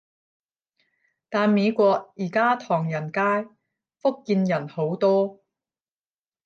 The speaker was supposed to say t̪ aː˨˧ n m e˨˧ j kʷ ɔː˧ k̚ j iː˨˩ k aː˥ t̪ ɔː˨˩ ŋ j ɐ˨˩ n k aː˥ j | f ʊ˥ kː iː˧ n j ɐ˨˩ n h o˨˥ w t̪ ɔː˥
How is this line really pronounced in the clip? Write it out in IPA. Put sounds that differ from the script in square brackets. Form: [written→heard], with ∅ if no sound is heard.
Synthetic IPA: t̪ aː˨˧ n m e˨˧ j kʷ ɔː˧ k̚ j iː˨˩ k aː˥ [t̪→t̪ʰ] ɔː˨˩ ŋ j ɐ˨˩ n k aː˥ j | f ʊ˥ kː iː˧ n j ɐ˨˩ n h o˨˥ w t̪ ɔː˥